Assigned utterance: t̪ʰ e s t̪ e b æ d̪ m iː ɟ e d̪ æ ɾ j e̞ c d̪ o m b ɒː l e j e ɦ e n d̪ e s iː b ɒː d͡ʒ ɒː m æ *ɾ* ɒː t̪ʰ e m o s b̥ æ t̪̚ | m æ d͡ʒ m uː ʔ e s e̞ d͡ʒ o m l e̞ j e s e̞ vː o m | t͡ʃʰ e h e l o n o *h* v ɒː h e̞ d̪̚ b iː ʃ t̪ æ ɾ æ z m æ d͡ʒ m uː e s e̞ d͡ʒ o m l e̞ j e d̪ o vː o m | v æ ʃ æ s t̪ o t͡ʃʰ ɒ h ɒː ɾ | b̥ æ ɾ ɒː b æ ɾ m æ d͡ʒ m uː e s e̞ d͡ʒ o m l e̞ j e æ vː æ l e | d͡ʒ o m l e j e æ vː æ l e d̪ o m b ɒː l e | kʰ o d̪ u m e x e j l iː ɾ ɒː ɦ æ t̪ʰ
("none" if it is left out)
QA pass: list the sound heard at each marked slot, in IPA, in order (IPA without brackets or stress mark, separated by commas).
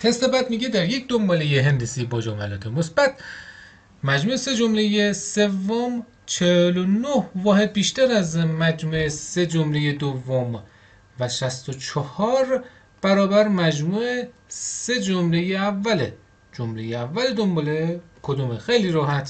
l, h